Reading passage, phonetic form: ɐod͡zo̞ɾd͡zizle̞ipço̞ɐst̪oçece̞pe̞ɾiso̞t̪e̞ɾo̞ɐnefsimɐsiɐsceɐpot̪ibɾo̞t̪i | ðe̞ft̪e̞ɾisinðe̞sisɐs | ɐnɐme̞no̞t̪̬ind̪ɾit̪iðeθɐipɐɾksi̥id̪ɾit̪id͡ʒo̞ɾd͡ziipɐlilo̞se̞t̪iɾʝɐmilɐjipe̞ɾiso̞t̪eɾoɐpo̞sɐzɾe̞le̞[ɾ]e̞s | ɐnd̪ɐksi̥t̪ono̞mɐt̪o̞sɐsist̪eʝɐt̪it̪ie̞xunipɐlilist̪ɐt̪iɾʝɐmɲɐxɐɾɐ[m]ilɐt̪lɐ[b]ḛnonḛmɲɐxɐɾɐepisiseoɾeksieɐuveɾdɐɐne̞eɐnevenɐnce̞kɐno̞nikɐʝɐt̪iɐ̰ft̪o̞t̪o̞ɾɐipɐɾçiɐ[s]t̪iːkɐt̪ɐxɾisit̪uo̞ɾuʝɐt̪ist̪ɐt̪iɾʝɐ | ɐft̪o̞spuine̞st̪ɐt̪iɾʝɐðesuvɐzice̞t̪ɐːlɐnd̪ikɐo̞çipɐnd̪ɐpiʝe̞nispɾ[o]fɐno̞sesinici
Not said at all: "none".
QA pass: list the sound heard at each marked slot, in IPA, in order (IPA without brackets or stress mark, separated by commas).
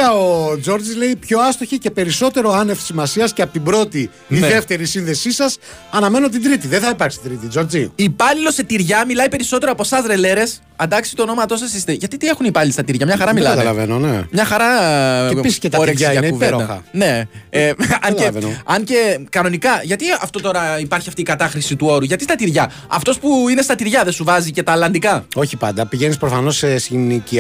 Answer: ɾ, m, v, f, o